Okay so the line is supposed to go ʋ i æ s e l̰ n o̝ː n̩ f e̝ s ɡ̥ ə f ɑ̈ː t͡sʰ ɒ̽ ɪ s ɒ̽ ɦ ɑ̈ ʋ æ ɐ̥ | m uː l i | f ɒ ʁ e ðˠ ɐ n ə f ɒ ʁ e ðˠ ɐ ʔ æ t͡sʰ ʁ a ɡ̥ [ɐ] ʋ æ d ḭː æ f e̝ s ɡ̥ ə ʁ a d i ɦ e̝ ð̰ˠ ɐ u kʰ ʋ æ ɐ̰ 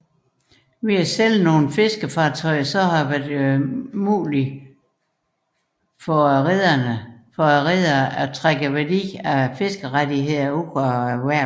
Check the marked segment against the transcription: incorrect: ə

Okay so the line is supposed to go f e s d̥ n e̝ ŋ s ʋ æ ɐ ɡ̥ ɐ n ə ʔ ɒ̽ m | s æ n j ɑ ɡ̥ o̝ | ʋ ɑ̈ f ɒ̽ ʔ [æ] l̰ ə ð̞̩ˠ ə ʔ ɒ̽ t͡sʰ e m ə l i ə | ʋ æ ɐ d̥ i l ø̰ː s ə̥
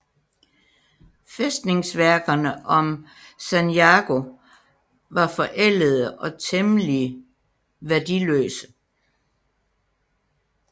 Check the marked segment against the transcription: incorrect: e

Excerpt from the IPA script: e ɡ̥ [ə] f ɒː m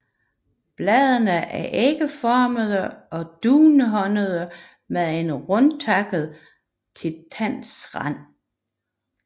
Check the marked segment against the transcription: correct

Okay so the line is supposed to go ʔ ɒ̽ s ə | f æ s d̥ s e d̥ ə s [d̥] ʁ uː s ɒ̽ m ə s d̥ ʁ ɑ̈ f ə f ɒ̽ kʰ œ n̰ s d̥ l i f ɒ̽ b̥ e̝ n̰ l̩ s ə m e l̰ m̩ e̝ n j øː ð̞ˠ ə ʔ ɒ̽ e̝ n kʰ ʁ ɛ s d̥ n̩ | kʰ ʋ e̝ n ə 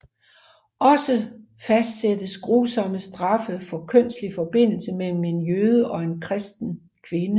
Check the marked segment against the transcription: incorrect: ɡ̥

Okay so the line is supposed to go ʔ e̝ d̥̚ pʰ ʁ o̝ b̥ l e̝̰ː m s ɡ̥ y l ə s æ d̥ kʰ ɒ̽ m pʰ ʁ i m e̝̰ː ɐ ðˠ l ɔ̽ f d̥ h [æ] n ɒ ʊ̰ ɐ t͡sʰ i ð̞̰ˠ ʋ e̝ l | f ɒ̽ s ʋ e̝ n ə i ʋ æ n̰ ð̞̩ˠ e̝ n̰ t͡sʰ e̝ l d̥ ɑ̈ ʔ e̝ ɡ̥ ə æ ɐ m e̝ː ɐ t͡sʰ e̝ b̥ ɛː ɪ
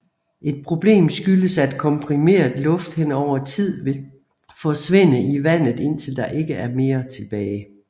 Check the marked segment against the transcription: incorrect: e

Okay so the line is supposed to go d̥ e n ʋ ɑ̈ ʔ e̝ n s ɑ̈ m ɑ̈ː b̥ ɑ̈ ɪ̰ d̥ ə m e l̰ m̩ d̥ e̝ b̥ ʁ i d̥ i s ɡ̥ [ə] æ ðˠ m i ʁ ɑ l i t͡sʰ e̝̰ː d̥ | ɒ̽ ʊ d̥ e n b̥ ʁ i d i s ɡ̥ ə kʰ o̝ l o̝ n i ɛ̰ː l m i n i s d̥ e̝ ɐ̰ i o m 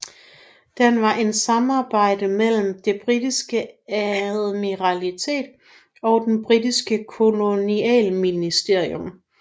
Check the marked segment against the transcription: correct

